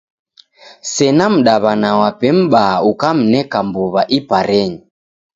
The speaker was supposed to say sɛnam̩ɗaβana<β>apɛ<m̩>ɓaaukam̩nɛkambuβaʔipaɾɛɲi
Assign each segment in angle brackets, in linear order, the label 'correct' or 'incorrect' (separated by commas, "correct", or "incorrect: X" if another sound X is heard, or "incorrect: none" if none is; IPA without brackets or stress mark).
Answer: incorrect: w, correct